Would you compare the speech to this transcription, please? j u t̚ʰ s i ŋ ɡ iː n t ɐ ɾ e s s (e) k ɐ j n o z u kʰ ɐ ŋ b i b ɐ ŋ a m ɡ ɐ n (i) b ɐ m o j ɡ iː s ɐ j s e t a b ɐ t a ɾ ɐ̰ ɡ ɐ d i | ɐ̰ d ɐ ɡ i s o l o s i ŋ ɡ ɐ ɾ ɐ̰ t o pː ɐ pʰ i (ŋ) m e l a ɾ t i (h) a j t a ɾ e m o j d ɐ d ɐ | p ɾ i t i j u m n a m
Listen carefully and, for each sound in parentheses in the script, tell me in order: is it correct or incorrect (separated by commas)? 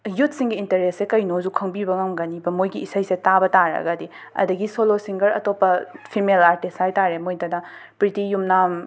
correct, correct, incorrect, incorrect